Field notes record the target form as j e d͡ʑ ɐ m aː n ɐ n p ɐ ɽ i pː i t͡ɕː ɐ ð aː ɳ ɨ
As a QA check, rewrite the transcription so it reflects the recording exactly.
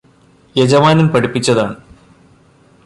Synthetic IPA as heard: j e d͡ʑ ɐ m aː n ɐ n p ɐ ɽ i pː i t͡ɕː ɐ ð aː ɳ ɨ

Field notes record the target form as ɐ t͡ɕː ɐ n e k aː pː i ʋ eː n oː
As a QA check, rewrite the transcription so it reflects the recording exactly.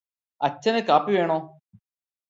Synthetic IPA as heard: ɐ t͡ɕː ɐ n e k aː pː i ʋ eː ɳ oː

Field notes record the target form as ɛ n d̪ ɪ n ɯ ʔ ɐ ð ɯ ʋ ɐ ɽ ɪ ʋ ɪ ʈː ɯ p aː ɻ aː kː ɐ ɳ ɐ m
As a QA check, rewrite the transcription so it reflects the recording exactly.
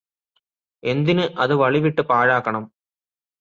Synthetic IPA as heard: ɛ n d̪ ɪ n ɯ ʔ ɐ ð ɯ ʋ ɐ ɭ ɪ ʋ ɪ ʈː ɯ p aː ɻ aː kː ɐ ɳ ɐ m

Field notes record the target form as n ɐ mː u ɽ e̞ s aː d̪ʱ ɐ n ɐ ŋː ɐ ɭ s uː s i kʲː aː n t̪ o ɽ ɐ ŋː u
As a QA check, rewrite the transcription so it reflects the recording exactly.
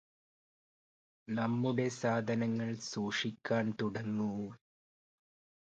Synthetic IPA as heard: n ɐ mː u ɽ e̞ s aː d̪ʱ ɐ n ɐ ŋː ɐ ɭ s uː ʂ i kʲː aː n t̪ u ɽ ɐ ŋː u

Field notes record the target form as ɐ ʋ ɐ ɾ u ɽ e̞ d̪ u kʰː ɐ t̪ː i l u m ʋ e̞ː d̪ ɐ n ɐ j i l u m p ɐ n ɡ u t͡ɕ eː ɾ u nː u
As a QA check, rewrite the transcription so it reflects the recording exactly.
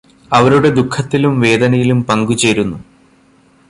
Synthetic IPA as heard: ɐ ʋ ɐ ɾ u ɽ e̞ d̪ u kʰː ɐ t̪ː i l u m ʋ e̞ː d̪ ɐ n ɐ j i l u m p ɐ ŋ ɡ u t͡ɕ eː ɾ u nː u

